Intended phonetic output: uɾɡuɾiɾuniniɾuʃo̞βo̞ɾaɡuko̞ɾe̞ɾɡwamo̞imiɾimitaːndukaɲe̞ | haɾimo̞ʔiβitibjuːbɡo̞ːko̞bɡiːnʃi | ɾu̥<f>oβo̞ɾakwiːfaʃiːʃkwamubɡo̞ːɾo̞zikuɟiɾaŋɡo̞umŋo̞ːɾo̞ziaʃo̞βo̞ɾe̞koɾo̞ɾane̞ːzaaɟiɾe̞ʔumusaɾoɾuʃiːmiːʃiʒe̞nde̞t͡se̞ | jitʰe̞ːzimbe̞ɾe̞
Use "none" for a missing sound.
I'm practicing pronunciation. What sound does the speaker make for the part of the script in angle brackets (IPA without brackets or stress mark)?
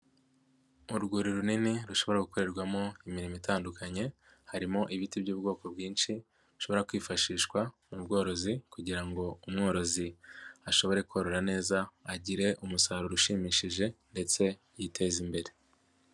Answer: ʃ